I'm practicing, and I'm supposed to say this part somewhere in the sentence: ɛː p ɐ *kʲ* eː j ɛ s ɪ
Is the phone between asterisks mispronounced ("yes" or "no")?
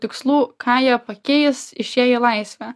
no